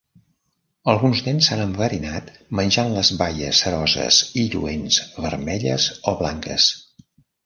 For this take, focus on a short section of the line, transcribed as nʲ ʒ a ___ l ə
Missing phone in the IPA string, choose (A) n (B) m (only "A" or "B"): A